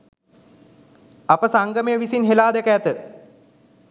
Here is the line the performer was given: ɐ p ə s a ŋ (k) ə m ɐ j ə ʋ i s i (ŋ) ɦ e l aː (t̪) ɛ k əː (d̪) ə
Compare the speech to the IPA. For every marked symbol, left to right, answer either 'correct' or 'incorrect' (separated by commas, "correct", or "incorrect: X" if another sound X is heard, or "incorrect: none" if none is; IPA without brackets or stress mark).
incorrect: ɡ, incorrect: n, incorrect: d̪, incorrect: t̪